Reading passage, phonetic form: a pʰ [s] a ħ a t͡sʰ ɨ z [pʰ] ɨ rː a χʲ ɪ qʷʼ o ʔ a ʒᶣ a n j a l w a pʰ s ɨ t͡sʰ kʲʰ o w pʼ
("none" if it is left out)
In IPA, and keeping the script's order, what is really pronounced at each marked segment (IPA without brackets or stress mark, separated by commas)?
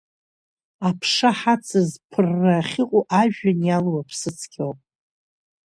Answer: ʂ, pʰ